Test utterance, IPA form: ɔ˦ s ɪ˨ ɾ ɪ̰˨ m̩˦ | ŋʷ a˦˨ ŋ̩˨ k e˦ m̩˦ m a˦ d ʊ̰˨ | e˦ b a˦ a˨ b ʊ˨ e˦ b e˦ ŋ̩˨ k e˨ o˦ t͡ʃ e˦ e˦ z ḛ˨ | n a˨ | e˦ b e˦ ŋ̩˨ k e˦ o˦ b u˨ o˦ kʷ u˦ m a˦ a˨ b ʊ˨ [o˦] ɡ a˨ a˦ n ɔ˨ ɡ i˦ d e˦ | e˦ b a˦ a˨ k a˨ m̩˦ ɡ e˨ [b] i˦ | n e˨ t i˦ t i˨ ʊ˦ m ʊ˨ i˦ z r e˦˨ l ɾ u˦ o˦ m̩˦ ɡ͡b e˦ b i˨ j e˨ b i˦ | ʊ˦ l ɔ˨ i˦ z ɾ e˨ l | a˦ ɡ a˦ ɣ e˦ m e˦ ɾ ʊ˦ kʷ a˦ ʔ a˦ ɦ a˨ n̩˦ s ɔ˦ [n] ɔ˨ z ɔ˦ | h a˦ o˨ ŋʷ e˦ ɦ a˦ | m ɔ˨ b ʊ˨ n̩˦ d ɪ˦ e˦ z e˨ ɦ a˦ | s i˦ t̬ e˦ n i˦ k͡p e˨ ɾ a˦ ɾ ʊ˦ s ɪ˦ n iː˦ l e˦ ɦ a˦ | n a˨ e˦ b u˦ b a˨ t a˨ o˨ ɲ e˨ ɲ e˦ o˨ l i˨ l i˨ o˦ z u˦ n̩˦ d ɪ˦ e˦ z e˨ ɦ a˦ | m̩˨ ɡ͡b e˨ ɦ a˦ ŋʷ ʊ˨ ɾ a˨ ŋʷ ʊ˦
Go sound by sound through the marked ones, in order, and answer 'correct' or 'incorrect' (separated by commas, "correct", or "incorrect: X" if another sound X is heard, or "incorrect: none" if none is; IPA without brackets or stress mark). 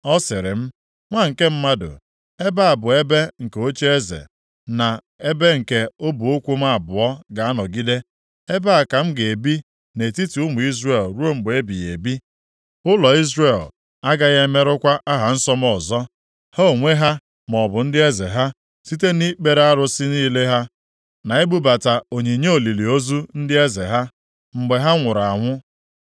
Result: incorrect: ɔ˦, correct, incorrect: m